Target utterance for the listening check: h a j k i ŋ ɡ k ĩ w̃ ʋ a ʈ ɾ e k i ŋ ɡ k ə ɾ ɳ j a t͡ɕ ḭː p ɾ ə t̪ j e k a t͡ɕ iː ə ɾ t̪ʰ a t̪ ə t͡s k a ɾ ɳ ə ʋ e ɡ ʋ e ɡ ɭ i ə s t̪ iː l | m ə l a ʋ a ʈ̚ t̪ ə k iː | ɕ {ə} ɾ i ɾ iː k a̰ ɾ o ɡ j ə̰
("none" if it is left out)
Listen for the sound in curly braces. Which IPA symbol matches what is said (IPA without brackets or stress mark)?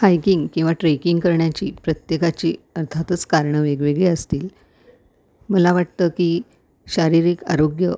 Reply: a